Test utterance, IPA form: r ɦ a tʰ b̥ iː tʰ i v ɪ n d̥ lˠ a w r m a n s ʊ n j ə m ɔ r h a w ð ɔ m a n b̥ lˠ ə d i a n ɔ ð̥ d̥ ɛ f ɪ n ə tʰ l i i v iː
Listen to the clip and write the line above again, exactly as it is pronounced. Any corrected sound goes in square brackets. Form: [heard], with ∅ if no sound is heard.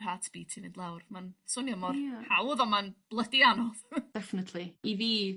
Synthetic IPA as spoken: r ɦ a tʰ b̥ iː tʰ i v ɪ n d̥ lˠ a w r m a n s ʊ n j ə m ɔ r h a w ð ɔ m a n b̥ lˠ ə d i a n ɔ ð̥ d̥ ɛ f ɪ n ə tʰ l i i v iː